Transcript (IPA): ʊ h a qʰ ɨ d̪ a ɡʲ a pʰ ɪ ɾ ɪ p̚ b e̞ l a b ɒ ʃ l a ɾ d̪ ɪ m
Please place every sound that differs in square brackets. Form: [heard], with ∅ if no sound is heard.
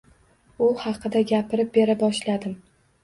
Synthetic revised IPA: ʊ h [ɑ] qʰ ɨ d̪ a ɡʲ a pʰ ɪ ɾ ɪ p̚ b e̞ [ɾ] a b ɒ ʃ l a [∅] d̪ ɪ m